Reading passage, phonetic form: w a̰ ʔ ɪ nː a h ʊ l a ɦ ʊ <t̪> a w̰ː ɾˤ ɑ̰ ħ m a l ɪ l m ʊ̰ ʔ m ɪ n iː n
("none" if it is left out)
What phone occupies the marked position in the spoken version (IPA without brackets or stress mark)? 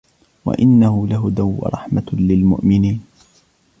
d̪